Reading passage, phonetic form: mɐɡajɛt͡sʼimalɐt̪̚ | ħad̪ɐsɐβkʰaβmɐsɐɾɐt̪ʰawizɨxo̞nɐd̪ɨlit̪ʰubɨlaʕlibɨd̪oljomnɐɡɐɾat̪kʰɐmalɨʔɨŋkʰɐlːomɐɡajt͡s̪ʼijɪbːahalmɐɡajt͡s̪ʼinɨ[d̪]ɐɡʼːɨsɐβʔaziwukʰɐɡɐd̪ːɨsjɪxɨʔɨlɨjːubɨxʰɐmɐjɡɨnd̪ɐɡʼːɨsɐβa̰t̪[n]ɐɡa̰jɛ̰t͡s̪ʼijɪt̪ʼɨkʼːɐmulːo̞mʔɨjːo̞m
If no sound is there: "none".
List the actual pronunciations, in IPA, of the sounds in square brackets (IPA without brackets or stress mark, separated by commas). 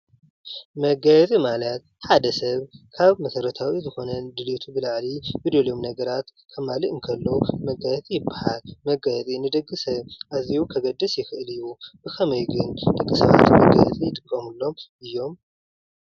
d̪, m